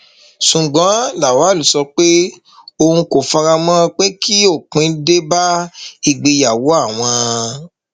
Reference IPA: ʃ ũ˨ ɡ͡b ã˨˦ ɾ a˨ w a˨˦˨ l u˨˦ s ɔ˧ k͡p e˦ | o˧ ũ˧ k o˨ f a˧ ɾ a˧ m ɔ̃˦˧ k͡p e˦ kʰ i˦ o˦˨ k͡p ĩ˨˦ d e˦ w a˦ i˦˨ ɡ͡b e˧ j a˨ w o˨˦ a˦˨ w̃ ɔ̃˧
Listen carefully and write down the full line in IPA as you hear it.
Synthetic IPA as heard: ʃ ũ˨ ɡ͡b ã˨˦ l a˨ w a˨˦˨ l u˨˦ s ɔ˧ k͡p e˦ | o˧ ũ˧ k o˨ f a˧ ɾ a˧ m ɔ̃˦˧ k͡p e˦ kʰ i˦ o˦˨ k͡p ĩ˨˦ d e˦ b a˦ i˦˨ ɡ͡b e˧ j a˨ w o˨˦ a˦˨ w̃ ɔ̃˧

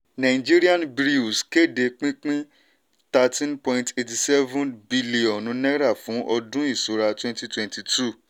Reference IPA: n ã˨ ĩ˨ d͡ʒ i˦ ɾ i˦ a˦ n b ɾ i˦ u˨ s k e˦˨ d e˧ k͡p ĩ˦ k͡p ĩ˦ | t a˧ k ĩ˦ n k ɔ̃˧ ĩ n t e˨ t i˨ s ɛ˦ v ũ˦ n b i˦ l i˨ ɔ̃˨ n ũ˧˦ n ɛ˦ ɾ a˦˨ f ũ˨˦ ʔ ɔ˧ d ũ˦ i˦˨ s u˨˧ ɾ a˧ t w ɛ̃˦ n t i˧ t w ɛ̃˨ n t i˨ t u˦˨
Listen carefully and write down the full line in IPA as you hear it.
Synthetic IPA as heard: n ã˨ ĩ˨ d͡ʒ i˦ ɾ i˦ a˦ n b ɾ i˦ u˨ s k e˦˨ d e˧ k͡p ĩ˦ k͡p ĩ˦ | t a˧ t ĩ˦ n p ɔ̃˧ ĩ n t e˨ t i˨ s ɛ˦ v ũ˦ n b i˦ l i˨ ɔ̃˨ n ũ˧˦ n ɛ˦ ɾ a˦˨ f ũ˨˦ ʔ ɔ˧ d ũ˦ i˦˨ s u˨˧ ɾ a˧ t w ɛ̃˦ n t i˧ t w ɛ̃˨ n t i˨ t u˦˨

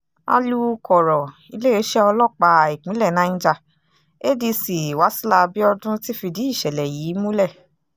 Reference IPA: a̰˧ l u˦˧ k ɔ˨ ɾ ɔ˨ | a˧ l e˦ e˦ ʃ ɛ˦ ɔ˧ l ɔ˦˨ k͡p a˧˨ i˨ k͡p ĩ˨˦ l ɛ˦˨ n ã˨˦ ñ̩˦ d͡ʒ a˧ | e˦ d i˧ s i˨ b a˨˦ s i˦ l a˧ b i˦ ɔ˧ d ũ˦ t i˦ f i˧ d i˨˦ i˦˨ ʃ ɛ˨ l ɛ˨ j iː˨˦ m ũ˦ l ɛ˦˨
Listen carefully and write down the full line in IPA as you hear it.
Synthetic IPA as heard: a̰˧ l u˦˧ k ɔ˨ ɾ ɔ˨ | i˧ l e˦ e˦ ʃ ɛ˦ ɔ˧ l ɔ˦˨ k͡p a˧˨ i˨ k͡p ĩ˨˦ l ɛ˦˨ n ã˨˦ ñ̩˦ d͡ʒ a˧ | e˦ d i˧ s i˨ w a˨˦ s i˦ l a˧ b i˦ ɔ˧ d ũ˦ t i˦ f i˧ d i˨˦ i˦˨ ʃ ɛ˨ l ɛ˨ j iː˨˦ m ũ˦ l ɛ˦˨

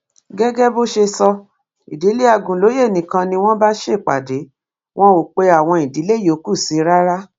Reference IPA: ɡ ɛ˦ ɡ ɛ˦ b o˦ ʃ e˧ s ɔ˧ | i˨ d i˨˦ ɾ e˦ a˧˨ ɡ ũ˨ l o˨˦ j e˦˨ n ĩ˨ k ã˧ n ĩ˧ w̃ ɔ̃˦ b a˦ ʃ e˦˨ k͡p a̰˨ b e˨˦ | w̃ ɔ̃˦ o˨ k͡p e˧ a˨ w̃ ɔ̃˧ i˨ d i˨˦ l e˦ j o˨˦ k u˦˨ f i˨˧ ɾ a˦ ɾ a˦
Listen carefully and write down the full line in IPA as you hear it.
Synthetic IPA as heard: ɡ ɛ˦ ɡ ɛ˦ b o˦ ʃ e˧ s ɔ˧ | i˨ d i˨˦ l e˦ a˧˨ ɡ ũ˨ l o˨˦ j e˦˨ n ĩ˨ k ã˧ n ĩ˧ w̃ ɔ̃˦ b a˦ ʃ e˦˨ k͡p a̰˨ d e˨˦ | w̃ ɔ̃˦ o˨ k͡p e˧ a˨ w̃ ɔ̃˧ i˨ d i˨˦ l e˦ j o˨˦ k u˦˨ s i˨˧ ɾ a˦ ɾ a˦

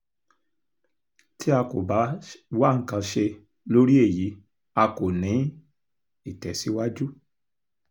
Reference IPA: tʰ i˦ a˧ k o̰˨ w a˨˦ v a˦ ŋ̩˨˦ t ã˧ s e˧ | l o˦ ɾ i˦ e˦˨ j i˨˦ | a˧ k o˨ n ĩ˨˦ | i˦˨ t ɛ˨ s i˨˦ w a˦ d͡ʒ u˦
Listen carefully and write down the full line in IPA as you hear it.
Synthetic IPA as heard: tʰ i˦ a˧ k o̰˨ b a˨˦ w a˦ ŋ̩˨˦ k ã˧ ʃ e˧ | l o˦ ɾ i˦ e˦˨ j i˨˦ | a˧ k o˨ n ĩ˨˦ | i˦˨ t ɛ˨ s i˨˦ w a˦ d͡ʒ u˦

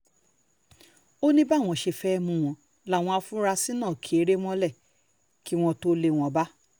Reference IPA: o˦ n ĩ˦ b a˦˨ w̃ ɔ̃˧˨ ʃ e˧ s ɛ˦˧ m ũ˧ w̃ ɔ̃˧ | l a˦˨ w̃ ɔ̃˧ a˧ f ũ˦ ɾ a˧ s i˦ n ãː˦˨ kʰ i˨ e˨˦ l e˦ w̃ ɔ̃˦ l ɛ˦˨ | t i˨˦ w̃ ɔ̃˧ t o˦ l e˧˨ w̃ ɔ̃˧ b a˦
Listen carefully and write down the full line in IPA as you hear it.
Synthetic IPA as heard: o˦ n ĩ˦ b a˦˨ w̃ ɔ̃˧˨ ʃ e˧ f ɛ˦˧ m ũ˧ w̃ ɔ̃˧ | l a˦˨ w̃ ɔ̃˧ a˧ f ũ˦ ɾ a˧ s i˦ n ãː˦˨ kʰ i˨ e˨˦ ɾ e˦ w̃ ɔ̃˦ l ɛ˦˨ | k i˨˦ w̃ ɔ̃˧ t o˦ l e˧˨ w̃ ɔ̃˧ b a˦

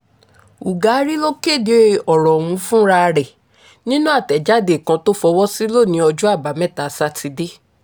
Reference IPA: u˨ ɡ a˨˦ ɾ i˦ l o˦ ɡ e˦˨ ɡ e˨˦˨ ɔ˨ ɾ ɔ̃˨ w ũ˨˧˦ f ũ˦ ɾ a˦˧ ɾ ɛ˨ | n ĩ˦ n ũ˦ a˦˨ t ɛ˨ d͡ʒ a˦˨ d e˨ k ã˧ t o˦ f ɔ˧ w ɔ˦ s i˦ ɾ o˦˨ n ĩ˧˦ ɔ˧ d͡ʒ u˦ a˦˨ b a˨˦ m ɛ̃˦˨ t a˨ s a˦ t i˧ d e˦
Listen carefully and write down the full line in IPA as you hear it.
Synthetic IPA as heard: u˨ ɡ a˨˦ ɾ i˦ l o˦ k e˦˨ d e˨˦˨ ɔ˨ ɾ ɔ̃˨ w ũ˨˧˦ f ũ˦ ɾ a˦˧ ɾ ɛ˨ | n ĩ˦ n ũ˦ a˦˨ t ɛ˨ d͡ʒ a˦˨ d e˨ k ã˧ t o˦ f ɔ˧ w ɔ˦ s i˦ l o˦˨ n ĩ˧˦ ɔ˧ d͡ʒ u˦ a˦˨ b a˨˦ m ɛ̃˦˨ t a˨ s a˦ t i˧ d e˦

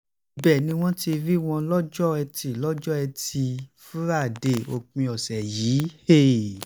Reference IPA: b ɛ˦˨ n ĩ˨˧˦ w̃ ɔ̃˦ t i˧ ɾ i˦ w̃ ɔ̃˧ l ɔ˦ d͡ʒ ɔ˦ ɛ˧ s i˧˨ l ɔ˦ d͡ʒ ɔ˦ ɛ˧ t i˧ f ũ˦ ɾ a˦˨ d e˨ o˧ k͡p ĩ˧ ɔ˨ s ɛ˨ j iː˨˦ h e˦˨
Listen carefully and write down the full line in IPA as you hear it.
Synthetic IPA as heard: b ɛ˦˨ n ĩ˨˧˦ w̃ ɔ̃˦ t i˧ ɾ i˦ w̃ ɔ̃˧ l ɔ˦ d͡ʒ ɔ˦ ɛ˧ t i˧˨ l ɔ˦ d͡ʒ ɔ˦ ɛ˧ t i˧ f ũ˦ ɾ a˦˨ d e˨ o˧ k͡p ĩ˧ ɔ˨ s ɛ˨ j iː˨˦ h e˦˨

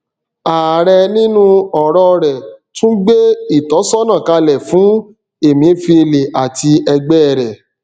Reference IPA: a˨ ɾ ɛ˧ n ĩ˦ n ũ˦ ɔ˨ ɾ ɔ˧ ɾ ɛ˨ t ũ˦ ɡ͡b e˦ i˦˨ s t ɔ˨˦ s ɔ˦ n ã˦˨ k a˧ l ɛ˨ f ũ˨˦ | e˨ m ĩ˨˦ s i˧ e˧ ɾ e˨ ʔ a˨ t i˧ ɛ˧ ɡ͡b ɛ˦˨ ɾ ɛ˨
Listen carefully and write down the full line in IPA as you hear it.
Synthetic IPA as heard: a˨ ɾ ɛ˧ n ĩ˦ n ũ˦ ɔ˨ ɾ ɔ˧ ɾ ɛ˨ t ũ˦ ɡ͡b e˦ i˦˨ t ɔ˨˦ s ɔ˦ n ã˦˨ k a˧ l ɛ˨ f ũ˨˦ | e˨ m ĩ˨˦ f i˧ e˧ l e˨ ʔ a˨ t i˧ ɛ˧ ɡ͡b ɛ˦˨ ɾ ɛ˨

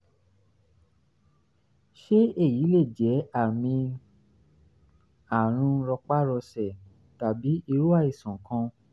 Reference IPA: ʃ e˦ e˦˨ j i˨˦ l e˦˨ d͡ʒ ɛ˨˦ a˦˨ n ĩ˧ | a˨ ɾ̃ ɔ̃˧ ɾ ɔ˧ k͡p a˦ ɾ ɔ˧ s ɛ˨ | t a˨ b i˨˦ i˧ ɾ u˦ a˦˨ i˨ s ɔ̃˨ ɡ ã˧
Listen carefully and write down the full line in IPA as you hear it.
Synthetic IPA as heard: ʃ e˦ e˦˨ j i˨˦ l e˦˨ d͡ʒ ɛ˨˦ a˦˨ m ĩ˧ | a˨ ɾ̃ ũ˧ ɾ ɔ˧ k͡p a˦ ɾ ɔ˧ s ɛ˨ | t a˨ b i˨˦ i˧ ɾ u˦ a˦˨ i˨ s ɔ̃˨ k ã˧

